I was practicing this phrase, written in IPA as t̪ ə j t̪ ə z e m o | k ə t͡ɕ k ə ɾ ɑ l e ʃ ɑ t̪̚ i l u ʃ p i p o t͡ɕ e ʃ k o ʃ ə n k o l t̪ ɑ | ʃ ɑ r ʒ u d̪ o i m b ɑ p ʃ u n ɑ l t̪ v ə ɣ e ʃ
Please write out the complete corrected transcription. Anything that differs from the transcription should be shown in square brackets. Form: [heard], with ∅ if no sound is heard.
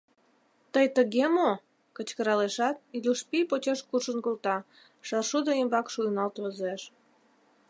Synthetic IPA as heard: t̪ ə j t̪ ə [ɣ] e m o | k ə t͡ɕ k ə ɾ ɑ l e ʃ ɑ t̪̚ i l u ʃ p i p o t͡ɕ e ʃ k [u] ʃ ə n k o l t̪ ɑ | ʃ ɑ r [ʃ] u d̪ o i m b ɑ [k] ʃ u n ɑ l t̪ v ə [z] e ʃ

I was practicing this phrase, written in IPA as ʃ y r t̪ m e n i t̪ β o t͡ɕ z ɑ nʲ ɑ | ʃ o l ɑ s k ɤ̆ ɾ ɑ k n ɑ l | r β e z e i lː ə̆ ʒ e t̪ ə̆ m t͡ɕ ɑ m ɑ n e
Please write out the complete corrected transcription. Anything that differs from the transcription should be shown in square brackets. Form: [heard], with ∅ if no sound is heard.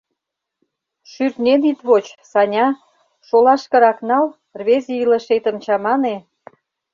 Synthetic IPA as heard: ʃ y r t̪ [n] e n i t̪ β o t͡ɕ [s] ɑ nʲ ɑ | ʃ o l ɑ [ʃ] k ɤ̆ ɾ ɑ k n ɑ l | r β e z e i [l] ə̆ [ʃ] e t̪ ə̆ m t͡ɕ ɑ m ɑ n e

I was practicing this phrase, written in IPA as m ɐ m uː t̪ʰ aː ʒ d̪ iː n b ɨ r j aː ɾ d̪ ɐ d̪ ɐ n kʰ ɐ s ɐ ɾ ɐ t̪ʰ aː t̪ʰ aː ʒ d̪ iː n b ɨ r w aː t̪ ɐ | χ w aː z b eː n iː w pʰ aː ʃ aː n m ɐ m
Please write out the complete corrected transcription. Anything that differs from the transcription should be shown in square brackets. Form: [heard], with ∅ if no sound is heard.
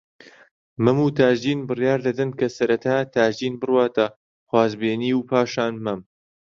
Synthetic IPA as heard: m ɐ m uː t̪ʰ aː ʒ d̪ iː n b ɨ r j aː ɾ d̪ ɐ d̪ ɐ n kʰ ɐ s ɐ ɾ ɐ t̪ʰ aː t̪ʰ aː ʒ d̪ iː n b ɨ r w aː t̪ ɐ | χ w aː z b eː n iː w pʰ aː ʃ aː n m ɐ m

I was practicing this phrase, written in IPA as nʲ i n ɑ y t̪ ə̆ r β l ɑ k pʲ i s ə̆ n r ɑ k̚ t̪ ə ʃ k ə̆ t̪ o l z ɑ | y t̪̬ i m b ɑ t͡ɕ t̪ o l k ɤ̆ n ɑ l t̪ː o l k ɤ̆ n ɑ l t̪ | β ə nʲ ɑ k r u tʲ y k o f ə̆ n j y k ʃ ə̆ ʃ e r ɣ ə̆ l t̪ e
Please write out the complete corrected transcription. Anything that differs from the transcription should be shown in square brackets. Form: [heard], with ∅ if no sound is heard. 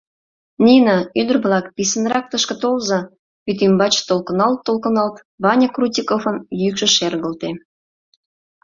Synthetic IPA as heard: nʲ i n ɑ y [d̪] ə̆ r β l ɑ k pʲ i s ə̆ n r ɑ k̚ t̪ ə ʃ k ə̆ t̪ o l z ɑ | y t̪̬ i m b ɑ t͡ɕ t̪ o l k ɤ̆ n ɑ l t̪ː o l k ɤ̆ n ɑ l t̪ | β [ɑ] nʲ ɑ k r u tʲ [i] k o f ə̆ n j y k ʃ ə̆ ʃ e r ɣ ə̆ l t̪ e

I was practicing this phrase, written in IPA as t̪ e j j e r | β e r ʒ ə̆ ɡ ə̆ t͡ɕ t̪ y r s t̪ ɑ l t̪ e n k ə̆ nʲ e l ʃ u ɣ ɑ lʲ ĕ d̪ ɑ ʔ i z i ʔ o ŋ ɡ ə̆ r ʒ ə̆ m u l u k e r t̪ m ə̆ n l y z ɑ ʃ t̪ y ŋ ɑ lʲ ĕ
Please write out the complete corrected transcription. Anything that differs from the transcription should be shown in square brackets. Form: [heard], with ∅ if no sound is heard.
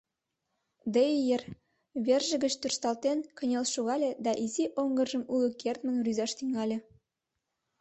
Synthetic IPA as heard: [d̪] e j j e r | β e r ʒ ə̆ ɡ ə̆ t͡ɕ t̪ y r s t̪ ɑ l t̪ e n k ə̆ nʲ e l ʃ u ɣ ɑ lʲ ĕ d̪ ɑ ʔ i z i ʔ o ŋ ɡ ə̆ r ʒ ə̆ m u l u k e r t̪ m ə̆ n [r] y z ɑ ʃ t̪ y ŋ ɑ lʲ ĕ

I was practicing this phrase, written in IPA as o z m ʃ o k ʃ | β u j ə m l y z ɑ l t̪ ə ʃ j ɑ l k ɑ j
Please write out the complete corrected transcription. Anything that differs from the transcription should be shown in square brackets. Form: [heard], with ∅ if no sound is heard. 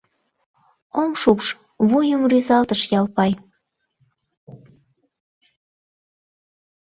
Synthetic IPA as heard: o [∅] m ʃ [u] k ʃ | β u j ə m [r] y z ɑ l t̪ ə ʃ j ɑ l [p] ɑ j

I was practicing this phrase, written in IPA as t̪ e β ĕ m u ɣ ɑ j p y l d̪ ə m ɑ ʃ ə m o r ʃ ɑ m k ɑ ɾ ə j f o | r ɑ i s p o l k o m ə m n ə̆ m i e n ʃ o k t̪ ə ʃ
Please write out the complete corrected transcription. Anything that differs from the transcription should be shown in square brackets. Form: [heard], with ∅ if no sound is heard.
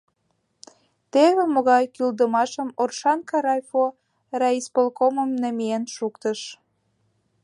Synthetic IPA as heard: t̪ e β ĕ m [o] ɣ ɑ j [k] y l d̪ ə m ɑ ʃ ə m o r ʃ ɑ [n] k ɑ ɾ [ɑ] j f o | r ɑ i s p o l k o m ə m n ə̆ m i e n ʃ [u] k t̪ ə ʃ

